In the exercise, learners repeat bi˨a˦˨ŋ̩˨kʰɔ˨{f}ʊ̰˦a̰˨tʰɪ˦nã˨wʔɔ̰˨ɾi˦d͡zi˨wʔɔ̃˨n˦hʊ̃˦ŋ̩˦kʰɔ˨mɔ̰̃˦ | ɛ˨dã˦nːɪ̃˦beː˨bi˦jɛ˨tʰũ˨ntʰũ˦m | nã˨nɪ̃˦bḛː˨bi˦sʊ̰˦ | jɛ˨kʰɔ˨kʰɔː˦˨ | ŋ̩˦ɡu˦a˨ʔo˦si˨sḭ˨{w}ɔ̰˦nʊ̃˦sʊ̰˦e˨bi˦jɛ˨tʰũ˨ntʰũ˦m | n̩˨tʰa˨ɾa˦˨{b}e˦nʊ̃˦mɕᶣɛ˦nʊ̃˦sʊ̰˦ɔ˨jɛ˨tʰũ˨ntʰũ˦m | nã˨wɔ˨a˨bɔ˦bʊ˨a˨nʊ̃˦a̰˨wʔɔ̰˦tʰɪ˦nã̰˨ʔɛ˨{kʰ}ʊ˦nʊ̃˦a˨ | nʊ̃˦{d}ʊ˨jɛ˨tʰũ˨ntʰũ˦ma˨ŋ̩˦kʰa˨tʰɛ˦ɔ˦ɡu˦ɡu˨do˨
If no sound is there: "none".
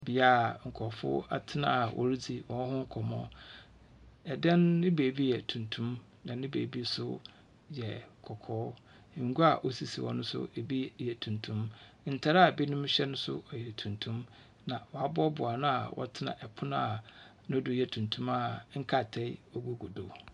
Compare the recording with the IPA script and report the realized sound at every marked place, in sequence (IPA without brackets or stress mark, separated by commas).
f, w, b, pʰ, d